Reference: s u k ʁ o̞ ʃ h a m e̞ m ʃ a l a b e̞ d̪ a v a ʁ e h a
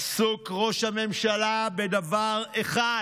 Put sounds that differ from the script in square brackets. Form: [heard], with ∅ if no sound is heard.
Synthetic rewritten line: s u k ʁ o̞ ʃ h a m e̞ m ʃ a l a b e̞ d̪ a v a ʁ e [χ] a